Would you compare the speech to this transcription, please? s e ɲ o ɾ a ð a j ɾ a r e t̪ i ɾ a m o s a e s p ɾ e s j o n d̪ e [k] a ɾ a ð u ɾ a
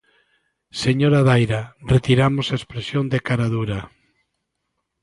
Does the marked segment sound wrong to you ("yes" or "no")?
no